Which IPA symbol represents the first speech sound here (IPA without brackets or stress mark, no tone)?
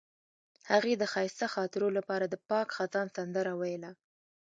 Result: h